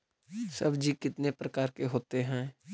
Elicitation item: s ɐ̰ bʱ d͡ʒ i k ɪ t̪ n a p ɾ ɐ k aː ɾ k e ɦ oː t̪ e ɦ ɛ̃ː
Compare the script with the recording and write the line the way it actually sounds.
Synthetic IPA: s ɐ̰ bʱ d͡ʒ i k ɪ t̪ n e p ɾ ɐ k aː ɾ k e ɦ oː t̪ e ɦ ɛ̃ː